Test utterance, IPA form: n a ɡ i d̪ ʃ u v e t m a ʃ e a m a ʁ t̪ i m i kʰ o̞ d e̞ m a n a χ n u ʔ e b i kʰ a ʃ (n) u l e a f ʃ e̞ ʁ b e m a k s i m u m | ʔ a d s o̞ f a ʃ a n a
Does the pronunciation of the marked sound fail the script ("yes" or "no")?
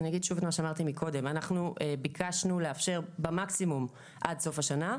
no